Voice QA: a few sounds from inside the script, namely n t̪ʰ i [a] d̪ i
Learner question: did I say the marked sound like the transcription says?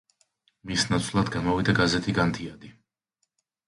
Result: yes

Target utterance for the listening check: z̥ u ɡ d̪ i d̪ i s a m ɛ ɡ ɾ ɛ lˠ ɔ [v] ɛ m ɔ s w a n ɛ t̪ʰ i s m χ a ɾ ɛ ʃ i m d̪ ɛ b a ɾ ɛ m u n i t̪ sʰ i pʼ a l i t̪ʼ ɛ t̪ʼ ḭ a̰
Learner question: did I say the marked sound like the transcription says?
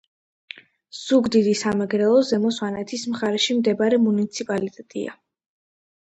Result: no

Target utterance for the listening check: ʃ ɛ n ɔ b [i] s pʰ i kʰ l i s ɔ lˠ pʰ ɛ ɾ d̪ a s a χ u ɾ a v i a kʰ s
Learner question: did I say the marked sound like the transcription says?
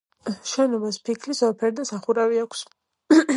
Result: no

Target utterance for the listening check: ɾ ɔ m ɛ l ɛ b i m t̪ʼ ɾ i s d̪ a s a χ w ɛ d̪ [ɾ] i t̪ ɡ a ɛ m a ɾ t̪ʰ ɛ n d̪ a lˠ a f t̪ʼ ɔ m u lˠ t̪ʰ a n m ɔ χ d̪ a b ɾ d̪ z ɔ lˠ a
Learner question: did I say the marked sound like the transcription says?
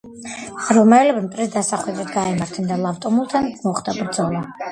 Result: yes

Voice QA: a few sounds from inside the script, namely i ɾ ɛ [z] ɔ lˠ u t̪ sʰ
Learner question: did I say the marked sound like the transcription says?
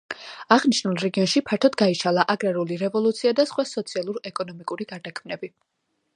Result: no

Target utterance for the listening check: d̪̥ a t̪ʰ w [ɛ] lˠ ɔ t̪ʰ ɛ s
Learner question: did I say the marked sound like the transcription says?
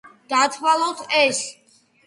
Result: no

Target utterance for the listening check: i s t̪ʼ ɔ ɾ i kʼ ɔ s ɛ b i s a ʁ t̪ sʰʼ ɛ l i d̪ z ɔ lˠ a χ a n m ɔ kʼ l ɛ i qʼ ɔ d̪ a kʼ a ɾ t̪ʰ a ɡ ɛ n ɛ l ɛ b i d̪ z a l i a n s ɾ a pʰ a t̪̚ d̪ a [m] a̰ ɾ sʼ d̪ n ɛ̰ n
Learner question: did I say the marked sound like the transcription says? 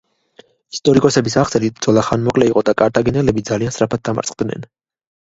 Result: yes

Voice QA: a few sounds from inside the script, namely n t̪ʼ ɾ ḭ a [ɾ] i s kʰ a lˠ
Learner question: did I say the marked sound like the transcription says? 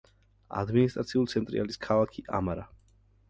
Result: no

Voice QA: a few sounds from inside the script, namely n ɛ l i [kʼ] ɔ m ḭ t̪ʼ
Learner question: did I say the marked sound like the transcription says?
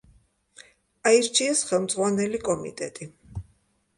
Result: yes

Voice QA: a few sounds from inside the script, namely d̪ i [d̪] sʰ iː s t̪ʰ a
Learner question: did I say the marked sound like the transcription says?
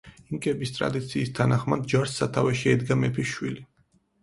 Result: no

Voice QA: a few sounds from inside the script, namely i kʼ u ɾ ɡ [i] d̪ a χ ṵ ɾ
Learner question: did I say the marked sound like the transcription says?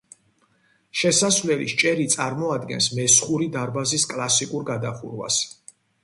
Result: no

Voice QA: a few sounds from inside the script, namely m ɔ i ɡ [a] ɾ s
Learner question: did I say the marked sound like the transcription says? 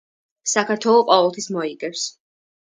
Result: no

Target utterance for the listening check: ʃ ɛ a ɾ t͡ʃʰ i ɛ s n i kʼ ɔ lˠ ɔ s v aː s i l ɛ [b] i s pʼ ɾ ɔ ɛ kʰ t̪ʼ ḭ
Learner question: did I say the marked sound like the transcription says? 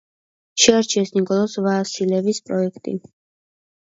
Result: no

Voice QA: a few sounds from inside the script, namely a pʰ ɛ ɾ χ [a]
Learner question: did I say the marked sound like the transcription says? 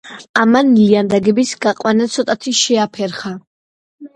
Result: yes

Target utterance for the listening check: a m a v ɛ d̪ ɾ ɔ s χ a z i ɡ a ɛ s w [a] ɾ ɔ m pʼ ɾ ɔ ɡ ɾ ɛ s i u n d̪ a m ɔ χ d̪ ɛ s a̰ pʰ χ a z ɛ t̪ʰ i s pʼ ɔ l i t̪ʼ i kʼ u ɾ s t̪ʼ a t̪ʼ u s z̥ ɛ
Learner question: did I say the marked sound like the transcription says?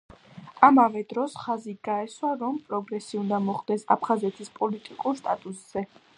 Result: yes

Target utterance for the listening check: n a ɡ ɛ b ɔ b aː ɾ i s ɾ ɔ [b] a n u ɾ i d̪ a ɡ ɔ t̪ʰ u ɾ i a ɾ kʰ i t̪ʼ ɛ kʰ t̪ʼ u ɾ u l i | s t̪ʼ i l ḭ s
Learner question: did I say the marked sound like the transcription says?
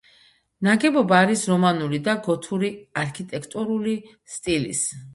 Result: no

